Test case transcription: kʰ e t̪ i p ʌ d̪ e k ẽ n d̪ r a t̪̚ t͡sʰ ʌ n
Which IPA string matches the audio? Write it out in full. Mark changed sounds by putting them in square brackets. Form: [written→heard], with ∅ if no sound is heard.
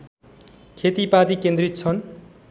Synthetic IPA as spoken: kʰ e t̪ i p [ʌ→a] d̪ [e→i] k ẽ n d̪ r [a→i] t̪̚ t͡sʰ ʌ n

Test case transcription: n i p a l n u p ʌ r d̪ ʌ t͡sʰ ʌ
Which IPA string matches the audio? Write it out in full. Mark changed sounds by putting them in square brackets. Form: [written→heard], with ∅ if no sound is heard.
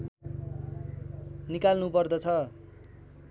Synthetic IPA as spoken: n i [p→k] a l n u p ʌ r d̪ ʌ t͡sʰ ʌ

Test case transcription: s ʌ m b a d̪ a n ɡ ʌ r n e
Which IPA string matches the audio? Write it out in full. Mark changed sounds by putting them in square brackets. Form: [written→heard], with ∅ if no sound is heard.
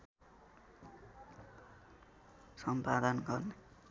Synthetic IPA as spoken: s ʌ m [b→p] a d̪ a n ɡ ʌ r n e

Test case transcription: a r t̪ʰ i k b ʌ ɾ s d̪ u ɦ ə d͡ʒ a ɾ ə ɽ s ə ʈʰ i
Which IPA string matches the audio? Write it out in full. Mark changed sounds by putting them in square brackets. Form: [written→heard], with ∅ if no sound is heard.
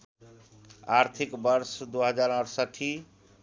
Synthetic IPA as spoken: a [r→ɾ] t̪ʰ i k b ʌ ɾ s d̪ u ɦ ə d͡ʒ a ɾ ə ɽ s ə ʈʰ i

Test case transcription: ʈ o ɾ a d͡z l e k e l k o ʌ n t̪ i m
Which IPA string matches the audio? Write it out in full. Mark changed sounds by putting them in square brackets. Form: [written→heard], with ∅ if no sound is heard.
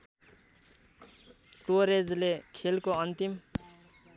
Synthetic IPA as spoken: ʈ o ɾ [a→e] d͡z l e [k→kʰ] e l k o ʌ n t̪ i m

